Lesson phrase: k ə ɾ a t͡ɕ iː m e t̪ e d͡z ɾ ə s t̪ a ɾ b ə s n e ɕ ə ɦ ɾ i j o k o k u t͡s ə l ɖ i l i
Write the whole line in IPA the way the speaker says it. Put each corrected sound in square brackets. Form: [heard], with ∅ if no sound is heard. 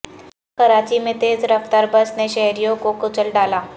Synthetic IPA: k ə ɾ a t͡ɕ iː m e t̪ e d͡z ɾ ə [f] t̪ a ɾ b ə s n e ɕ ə ɦ ɾ i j o k o k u t͡s ə l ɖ [a] l [a]